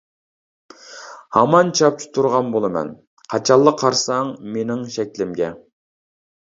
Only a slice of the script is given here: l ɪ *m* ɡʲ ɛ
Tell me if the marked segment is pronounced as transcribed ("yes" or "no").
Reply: yes